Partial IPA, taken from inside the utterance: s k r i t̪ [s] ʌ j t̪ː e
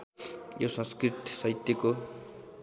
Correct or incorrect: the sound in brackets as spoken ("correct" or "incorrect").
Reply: correct